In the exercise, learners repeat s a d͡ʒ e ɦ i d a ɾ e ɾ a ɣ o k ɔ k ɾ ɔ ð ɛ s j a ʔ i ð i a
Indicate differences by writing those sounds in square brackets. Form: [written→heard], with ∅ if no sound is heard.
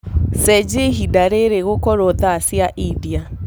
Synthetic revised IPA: s [a→ɛ] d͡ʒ e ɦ i d a ɾ e ɾ [a→e] ɣ o k ɔ [k→∅] ɾ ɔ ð [ɛ→a] s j a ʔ i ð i a